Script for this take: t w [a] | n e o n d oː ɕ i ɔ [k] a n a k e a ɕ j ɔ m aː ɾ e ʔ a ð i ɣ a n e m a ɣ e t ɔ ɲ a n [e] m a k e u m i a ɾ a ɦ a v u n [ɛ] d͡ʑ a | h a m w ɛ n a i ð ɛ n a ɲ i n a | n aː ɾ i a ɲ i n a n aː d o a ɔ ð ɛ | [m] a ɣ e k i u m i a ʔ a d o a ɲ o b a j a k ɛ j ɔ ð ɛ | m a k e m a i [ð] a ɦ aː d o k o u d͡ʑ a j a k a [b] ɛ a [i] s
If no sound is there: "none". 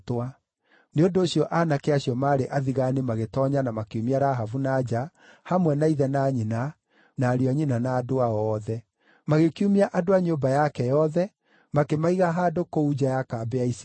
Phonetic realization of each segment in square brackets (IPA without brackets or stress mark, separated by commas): a, ʔ, a, a, m, ɣ, b, i